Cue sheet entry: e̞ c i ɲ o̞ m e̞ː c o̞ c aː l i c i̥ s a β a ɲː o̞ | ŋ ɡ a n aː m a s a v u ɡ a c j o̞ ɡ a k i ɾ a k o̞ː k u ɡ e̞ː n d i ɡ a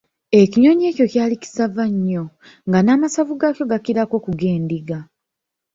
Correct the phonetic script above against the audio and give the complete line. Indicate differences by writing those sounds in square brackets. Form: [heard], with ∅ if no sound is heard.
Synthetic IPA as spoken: e̞ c i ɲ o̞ [ɲ] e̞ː c o̞ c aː l i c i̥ s a [v] a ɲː o̞ | ŋ ɡ a n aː m a s a v u ɡ a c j o̞ ɡ a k i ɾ a k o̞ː k u ɡ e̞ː n d i ɡ a